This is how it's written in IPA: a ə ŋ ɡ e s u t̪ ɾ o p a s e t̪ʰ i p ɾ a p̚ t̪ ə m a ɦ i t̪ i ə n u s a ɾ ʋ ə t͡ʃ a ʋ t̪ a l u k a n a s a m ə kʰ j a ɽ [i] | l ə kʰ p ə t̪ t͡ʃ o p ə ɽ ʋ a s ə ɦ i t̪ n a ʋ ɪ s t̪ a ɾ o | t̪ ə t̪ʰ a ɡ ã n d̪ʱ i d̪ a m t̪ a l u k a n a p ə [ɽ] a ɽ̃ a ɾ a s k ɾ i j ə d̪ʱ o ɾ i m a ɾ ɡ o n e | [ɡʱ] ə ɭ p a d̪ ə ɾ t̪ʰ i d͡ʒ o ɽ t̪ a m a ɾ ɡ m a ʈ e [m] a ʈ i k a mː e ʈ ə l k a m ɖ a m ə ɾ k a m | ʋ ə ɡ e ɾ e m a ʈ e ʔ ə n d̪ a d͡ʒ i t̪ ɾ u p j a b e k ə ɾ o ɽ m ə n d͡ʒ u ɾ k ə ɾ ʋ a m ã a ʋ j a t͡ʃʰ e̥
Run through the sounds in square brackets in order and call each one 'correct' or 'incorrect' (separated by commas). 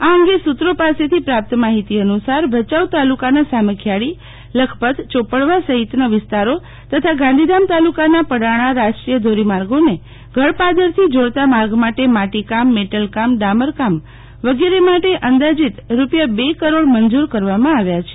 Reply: correct, correct, correct, correct